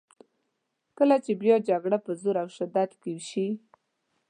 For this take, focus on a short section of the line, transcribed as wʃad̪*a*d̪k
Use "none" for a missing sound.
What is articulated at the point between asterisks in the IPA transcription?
a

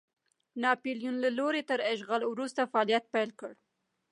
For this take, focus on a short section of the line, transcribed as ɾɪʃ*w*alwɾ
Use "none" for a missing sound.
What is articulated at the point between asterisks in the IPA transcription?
ɣ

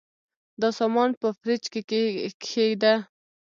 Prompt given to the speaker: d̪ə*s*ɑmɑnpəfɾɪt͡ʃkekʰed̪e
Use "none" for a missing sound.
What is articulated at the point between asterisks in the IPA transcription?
s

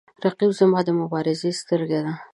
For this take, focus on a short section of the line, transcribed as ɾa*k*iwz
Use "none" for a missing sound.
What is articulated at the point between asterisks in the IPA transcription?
q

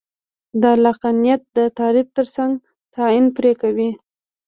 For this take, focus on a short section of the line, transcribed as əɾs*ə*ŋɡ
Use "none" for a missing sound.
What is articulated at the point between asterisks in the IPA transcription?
a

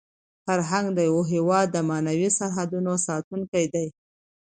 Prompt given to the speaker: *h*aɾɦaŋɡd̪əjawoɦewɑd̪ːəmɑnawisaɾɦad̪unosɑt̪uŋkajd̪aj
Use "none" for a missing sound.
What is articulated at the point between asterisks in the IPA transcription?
f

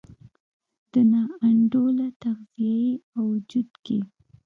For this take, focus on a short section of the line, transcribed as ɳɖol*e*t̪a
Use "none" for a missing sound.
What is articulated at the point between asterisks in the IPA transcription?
a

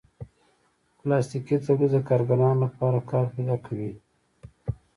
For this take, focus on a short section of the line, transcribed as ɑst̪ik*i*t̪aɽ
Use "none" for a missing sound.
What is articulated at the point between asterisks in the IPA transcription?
i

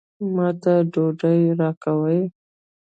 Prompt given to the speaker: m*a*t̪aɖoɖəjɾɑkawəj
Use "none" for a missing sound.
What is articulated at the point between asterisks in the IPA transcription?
ɑ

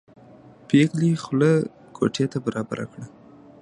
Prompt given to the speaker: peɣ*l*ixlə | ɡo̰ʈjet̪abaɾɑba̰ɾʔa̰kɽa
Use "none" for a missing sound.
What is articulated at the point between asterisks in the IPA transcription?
l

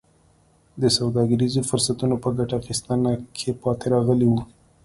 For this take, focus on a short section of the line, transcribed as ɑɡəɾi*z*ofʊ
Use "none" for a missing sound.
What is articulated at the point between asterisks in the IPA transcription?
z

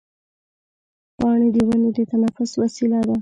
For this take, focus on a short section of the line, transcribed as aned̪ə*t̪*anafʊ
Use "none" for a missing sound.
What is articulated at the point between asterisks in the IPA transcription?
t̪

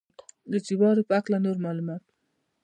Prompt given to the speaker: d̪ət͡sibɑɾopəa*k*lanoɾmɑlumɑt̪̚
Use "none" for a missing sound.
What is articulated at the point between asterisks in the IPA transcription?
k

